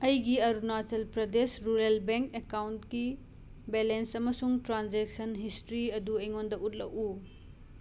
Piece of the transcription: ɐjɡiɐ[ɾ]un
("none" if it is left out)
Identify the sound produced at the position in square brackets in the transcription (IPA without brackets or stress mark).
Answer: ɾ